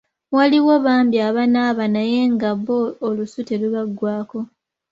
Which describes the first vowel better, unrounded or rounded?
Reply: unrounded